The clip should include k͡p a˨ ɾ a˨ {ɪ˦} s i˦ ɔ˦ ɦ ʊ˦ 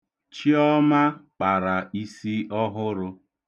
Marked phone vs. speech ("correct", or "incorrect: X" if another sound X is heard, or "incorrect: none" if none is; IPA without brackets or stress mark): incorrect: i˦